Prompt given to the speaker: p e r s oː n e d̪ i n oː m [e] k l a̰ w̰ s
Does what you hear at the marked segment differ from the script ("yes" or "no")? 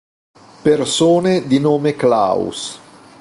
no